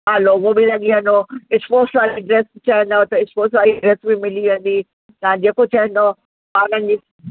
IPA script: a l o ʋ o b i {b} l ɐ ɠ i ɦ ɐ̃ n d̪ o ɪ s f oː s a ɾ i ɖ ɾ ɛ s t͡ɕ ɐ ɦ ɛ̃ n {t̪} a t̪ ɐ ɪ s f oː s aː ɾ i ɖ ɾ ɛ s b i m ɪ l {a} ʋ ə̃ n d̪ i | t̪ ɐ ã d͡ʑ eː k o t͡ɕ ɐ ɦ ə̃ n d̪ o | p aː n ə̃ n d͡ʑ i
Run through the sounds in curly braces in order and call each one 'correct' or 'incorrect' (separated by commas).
incorrect, incorrect, incorrect